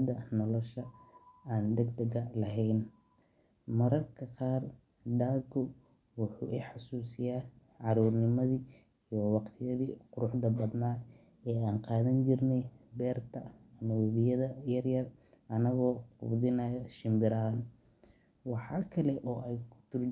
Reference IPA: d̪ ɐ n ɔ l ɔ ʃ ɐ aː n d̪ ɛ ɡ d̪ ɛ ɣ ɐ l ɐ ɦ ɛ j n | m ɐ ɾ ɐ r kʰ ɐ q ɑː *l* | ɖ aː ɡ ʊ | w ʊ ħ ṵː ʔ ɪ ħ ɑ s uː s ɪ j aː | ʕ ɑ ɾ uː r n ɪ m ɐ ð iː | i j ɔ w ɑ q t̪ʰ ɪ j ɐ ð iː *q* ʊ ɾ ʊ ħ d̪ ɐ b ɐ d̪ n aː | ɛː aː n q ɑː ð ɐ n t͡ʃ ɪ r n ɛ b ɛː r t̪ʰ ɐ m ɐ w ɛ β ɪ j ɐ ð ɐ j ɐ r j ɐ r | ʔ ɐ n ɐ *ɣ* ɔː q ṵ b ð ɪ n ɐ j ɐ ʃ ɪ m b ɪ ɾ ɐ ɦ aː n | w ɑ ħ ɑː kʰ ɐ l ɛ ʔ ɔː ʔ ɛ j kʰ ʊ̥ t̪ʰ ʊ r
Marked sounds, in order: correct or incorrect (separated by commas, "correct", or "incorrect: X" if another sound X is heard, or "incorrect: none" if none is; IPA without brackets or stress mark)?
incorrect: r, correct, correct